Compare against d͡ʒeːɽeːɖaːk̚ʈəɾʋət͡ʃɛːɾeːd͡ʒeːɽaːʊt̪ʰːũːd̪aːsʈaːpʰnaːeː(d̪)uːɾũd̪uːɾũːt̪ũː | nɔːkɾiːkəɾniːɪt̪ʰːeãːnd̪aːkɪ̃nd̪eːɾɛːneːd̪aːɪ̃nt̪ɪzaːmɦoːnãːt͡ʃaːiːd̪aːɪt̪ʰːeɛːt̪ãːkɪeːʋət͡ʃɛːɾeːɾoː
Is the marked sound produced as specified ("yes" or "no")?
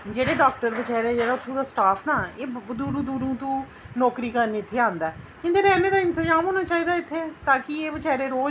yes